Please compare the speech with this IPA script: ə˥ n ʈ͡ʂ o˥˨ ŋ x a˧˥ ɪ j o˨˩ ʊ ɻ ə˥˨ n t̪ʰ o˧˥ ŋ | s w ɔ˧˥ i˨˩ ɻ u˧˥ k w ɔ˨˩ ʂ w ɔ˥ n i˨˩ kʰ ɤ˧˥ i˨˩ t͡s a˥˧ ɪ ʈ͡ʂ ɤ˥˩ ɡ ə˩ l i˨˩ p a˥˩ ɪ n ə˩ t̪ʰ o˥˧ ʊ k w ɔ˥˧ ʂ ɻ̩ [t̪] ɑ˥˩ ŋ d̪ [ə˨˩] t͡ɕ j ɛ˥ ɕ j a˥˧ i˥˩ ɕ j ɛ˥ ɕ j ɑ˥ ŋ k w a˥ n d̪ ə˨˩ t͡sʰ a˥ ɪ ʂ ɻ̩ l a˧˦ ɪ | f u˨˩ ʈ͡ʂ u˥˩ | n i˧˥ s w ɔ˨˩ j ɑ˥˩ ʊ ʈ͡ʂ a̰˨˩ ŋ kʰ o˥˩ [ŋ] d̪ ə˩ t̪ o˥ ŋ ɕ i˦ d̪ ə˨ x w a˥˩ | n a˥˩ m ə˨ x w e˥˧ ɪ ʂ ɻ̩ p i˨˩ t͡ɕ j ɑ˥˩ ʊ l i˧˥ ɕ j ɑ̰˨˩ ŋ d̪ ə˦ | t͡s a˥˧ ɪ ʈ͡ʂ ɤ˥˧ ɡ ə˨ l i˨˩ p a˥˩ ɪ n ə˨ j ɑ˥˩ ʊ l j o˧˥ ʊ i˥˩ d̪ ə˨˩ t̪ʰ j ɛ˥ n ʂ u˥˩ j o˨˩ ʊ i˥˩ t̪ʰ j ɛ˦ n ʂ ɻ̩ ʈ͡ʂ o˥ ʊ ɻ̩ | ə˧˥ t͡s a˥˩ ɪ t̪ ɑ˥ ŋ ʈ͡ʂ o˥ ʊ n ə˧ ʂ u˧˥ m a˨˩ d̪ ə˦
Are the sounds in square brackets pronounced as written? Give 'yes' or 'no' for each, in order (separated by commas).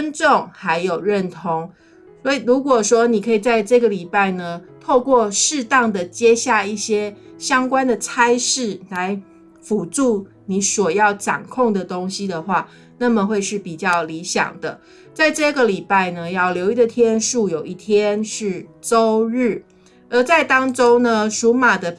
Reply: yes, yes, yes